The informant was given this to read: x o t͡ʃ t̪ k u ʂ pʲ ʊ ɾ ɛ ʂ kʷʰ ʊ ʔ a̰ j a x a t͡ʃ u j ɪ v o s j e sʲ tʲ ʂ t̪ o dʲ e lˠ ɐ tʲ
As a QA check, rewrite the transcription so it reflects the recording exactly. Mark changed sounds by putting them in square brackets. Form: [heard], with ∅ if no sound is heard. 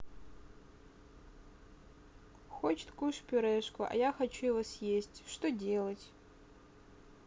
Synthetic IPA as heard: x o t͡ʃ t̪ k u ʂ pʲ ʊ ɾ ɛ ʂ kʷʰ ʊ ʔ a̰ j a x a t͡ʃ u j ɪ v o s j e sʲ tʲ ʂ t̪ o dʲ e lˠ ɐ tʲ